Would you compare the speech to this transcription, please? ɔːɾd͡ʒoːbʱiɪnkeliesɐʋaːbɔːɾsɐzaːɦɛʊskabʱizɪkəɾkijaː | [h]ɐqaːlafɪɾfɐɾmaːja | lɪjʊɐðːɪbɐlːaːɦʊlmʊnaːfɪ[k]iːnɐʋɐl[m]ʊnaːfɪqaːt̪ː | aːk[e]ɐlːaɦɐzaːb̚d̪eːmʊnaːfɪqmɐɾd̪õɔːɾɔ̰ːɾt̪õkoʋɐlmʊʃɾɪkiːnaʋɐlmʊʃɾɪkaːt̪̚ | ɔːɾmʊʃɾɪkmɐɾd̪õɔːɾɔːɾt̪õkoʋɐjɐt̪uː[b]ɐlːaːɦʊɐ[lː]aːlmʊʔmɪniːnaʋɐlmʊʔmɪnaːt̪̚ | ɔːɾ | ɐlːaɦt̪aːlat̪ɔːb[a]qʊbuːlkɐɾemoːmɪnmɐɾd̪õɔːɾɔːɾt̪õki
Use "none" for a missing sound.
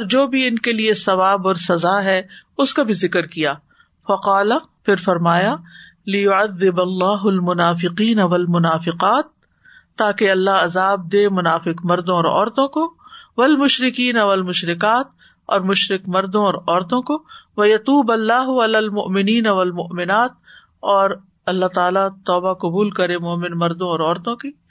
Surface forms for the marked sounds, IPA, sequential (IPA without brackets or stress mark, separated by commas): f, q, m, e, b, l, a